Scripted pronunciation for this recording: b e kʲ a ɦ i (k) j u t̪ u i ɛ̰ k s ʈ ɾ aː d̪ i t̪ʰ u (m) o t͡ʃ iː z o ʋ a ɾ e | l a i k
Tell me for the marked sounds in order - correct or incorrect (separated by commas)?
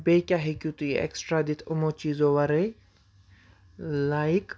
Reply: correct, correct